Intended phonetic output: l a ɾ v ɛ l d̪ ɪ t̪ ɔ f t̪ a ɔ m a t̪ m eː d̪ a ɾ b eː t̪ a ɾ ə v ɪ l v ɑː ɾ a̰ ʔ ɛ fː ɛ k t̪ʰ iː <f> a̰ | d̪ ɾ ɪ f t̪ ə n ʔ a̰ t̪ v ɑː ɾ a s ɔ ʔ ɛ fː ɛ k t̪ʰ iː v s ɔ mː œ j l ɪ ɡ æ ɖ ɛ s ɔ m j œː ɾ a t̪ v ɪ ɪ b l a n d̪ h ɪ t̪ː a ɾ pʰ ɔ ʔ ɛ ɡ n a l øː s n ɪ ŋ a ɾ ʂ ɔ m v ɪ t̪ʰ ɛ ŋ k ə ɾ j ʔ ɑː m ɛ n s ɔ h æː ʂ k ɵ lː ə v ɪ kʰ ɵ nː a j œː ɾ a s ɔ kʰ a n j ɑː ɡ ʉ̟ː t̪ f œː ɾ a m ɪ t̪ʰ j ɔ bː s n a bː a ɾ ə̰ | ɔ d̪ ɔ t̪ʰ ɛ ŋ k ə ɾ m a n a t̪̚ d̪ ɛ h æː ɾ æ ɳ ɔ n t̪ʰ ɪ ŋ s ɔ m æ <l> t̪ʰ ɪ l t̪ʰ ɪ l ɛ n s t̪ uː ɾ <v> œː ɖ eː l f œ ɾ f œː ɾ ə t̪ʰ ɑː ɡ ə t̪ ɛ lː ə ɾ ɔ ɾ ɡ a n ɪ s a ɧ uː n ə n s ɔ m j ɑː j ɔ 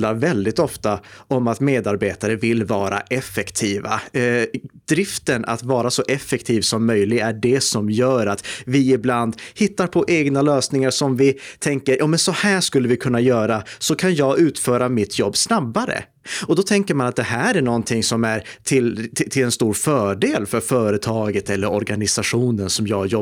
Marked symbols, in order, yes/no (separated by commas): no, no, no